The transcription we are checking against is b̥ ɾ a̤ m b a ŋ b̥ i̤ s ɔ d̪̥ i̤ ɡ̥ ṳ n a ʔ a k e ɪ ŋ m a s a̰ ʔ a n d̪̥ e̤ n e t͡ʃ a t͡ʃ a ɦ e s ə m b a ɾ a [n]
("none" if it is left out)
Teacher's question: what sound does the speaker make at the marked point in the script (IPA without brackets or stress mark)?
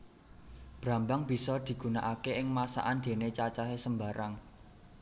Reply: ŋ